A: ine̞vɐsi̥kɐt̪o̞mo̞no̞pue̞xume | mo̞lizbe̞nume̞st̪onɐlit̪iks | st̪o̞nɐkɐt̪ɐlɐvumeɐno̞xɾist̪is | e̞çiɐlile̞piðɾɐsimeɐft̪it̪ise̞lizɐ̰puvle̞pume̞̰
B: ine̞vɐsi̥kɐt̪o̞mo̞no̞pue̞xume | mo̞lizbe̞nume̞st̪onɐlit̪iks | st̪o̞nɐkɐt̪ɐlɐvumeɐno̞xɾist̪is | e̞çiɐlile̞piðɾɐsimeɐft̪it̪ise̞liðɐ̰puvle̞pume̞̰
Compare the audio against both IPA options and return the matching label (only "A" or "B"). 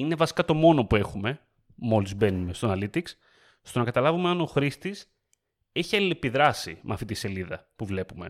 B